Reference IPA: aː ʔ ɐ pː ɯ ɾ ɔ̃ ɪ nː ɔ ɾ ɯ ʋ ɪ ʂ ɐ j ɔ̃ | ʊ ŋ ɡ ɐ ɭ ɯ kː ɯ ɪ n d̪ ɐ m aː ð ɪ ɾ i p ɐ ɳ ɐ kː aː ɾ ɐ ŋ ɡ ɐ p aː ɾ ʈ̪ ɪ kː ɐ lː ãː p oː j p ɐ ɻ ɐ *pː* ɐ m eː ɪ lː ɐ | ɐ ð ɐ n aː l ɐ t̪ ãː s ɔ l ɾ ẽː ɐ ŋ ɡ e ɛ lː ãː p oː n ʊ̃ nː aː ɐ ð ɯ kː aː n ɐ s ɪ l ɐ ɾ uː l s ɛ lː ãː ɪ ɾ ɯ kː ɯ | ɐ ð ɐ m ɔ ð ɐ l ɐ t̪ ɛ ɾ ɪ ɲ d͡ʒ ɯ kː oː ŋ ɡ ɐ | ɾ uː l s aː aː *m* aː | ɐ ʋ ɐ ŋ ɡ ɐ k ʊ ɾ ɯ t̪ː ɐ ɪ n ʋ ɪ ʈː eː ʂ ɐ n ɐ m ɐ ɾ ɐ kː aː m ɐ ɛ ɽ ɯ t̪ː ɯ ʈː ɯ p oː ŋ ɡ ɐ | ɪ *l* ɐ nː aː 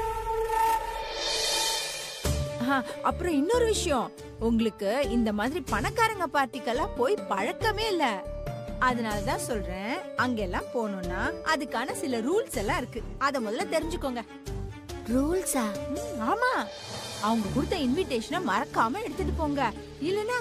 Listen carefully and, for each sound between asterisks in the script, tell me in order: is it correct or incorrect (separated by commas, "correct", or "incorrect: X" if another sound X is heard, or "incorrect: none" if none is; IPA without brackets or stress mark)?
incorrect: kː, correct, incorrect: lː